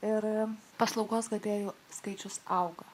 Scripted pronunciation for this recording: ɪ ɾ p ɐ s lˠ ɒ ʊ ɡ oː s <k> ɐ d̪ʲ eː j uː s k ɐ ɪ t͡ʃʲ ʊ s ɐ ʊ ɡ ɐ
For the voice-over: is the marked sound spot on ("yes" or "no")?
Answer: no